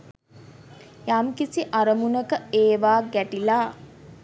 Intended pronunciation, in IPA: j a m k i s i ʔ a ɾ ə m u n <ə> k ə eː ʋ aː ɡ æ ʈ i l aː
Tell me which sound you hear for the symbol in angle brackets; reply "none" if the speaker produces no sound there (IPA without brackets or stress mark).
ə